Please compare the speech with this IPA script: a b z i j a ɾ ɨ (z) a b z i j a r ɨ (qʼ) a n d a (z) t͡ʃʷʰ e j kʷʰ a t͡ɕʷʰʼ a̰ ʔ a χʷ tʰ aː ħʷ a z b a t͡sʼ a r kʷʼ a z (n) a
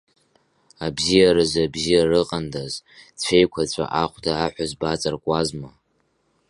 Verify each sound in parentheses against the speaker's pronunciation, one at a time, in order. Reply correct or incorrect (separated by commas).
correct, correct, correct, incorrect